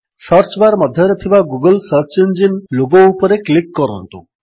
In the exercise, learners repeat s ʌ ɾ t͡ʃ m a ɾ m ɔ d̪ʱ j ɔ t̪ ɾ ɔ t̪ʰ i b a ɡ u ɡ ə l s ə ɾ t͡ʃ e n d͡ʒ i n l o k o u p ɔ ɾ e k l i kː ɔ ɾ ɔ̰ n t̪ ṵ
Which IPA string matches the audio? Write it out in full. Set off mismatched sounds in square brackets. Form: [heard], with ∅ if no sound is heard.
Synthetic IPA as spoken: s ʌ ɾ t͡ʃ [b] a ɾ m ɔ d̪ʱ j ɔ [∅] ɾ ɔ t̪ʰ i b a ɡ u ɡ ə l s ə ɾ t͡ʃ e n d͡ʒ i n l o [ɡ] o u p ɔ ɾ e k l i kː ɔ ɾ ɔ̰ n t̪ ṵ